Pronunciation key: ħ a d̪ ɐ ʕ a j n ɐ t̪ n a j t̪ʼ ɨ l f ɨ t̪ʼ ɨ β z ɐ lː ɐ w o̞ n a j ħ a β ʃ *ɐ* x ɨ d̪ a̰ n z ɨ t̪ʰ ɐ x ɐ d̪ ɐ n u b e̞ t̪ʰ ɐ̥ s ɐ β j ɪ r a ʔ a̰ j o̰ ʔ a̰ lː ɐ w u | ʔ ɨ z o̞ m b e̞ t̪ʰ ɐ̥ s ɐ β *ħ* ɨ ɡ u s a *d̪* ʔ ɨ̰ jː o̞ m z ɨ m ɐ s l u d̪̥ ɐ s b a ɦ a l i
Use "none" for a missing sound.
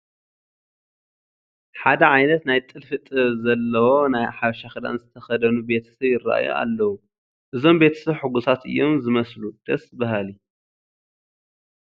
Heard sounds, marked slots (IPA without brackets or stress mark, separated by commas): a, ħ, t̪